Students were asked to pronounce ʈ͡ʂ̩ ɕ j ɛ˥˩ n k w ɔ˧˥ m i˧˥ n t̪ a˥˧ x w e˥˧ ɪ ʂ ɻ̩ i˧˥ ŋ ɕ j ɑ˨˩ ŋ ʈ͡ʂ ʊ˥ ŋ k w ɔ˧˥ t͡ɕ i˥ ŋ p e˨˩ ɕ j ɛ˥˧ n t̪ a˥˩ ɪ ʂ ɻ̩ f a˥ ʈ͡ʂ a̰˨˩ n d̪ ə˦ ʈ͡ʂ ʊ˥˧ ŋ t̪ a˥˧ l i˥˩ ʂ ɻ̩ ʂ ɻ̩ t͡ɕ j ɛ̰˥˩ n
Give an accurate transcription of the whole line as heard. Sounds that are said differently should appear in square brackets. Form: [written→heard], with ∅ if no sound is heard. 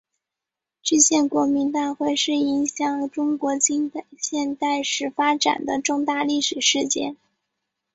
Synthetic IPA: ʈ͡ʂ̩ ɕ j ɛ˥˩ n k w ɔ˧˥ m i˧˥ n t̪ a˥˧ x w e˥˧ ɪ ʂ ɻ̩ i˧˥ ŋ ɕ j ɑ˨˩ ŋ ʈ͡ʂ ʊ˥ ŋ k w ɔ˧˥ t͡ɕ i˥ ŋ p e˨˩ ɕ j ɛ˥˧ n t̪ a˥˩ ɪ ʂ ɻ̩ f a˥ ʈ͡ʂ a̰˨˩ n d̪ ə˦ ʈ͡ʂ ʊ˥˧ ŋ t̪ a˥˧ l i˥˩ ʂ ɻ̩ ʂ ɻ̩ t͡ɕ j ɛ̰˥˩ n